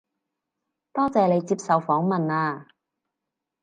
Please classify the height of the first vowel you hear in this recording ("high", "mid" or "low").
mid